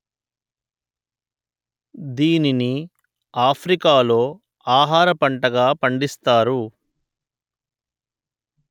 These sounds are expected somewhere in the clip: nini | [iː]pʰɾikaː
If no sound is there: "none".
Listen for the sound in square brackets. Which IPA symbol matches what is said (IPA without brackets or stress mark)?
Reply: aː